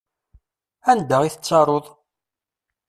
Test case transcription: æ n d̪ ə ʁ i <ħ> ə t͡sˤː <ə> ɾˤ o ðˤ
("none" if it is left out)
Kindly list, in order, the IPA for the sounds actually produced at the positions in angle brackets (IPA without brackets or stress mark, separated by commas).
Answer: θ, ɑ